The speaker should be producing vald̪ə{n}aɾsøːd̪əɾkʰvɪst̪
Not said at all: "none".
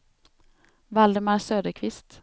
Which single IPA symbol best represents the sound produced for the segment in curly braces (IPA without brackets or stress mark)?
m